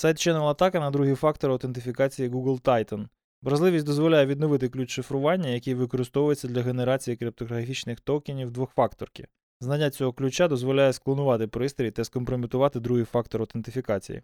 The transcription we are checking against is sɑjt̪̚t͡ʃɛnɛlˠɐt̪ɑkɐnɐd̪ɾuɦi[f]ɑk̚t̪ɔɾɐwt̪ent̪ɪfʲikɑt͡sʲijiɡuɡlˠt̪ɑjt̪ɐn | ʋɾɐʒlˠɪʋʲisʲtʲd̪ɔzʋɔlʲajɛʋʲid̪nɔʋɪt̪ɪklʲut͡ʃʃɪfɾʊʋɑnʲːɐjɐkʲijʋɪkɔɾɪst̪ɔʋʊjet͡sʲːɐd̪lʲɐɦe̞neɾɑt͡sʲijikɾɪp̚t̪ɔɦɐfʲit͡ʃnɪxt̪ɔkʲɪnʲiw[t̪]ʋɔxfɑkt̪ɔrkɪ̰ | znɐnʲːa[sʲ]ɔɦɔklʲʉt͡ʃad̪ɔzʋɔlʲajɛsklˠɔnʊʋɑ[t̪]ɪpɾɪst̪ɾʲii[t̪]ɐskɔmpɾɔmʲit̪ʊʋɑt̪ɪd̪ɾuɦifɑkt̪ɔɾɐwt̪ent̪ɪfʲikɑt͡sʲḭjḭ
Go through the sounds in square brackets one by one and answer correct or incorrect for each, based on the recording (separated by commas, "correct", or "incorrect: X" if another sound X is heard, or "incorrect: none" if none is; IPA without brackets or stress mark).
correct, incorrect: d̪, incorrect: t͡sʲ, correct, correct